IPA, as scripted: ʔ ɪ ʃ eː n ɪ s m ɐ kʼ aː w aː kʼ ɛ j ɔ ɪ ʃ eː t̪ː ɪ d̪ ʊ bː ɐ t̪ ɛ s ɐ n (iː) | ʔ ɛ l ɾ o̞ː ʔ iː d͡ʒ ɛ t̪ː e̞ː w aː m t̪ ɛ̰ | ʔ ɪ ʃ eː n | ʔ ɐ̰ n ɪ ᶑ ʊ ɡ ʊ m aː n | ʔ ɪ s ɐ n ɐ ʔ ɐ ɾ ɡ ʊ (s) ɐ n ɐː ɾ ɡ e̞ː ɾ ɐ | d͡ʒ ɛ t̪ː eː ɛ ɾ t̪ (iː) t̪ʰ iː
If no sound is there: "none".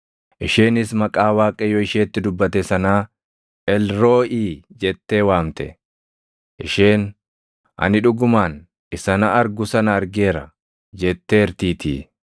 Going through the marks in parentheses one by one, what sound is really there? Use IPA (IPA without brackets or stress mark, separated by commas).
aː, s, iː